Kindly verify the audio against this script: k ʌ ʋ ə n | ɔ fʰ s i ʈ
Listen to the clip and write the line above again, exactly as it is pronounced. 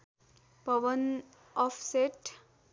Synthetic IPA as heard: p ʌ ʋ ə n | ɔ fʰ s e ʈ